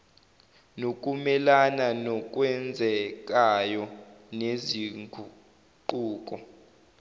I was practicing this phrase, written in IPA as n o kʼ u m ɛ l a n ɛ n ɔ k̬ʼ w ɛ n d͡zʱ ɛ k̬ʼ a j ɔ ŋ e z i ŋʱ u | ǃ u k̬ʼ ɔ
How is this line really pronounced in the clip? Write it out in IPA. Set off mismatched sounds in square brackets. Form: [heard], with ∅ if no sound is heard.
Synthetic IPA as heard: n o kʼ u m ɛ l a n [a] n ɔ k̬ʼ w ɛ n d͡zʱ ɛ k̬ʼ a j ɔ [n] e z i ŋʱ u | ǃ [uː] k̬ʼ ɔ